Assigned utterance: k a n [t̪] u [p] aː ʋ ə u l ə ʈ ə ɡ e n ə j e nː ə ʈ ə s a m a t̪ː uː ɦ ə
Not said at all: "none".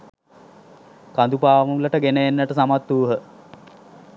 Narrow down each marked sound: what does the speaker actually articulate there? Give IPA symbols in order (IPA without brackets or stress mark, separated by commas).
d̪, p